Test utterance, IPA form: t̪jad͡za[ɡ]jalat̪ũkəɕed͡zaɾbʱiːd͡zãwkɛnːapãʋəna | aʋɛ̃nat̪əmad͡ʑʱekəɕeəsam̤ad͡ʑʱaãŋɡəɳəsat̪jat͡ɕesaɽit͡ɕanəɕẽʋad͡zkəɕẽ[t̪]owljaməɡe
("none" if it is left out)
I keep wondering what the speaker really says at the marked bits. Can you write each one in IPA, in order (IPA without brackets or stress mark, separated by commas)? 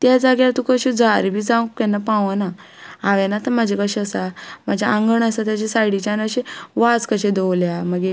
ɡ, d̪